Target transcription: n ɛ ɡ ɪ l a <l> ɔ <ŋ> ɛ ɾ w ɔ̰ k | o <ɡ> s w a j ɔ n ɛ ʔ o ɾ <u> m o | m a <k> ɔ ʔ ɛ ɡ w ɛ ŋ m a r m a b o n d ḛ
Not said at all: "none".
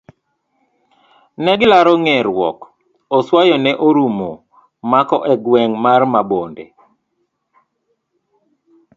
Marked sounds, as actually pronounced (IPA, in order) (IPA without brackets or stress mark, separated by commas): ɾ, ŋ, none, u, k